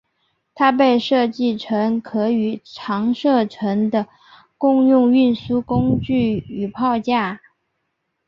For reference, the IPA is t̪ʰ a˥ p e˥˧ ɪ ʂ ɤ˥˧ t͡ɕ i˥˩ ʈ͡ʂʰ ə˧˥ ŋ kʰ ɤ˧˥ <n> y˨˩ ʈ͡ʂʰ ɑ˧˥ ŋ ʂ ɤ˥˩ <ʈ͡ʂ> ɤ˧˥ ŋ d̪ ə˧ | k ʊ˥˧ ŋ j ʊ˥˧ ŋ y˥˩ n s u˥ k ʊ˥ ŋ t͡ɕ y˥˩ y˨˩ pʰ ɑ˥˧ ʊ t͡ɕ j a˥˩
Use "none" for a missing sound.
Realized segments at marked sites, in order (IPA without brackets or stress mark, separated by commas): none, ʈ͡ʂʰ